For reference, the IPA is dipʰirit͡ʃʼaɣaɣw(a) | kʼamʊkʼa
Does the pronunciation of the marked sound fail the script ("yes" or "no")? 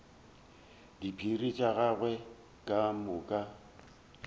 yes